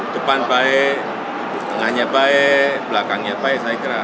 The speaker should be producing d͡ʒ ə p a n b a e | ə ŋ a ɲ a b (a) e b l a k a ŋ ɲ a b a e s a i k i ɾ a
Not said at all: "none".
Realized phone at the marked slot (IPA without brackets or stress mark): a